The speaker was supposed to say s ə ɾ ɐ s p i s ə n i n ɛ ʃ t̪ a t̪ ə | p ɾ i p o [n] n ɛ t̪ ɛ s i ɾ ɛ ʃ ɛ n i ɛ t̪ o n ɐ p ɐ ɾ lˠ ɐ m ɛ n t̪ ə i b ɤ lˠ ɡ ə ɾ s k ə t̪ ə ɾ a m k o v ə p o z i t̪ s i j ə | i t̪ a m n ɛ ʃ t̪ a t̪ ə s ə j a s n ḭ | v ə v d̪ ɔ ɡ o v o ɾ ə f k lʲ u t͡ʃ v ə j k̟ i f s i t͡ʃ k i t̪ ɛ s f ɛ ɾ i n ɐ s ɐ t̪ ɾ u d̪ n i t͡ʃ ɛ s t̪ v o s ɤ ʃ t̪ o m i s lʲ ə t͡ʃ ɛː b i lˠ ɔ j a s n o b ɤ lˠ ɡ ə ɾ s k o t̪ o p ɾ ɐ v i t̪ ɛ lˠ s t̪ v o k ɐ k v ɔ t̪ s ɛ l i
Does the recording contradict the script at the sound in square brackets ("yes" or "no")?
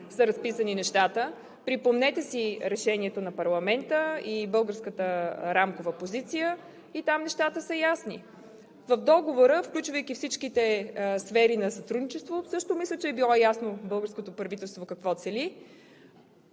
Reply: yes